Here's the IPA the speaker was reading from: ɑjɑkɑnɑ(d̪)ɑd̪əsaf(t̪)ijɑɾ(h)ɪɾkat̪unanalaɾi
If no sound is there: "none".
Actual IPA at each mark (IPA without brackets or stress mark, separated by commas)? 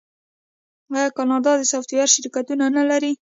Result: d̪, t̪, ʃ